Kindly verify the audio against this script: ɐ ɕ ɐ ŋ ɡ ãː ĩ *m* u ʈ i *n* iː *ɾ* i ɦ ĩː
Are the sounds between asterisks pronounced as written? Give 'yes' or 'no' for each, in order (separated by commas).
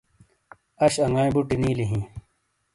no, yes, no